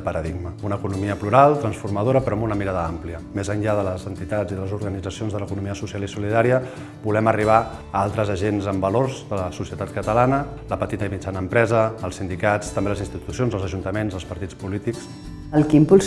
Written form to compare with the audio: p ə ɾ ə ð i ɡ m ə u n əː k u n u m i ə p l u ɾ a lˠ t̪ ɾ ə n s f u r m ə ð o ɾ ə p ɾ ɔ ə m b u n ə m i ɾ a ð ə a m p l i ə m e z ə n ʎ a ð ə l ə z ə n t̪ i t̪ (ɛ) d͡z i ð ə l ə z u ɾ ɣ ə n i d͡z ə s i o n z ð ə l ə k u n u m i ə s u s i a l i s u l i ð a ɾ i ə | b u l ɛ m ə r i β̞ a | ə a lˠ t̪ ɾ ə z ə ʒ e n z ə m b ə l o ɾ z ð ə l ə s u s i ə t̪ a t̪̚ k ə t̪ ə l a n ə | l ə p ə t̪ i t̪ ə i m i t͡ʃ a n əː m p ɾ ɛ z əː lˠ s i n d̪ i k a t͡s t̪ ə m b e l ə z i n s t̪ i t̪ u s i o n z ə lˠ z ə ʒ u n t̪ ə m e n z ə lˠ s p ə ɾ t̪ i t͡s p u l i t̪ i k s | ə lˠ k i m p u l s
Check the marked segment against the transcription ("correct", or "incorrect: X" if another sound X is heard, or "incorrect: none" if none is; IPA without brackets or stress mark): incorrect: a